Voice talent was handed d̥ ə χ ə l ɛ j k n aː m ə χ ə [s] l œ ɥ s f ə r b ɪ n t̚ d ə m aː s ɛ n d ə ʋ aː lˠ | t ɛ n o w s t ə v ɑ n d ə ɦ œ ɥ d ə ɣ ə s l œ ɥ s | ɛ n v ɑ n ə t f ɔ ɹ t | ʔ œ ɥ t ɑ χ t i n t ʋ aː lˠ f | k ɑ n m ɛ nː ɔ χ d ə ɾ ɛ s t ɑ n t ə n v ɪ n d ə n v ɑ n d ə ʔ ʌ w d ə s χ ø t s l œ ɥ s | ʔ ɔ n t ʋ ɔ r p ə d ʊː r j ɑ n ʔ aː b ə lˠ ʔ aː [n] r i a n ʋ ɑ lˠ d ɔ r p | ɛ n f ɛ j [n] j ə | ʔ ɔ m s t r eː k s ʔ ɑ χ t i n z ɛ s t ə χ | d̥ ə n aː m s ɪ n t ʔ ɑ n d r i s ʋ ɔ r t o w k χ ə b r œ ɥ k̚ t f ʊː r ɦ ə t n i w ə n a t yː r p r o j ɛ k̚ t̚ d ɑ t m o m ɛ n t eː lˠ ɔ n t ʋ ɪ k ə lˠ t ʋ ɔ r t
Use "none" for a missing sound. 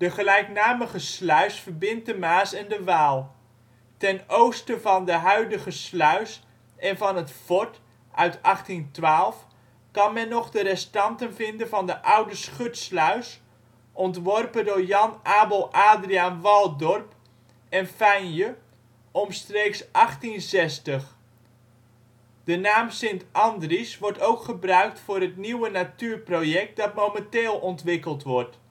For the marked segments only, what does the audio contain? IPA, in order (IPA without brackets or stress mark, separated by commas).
s, d, n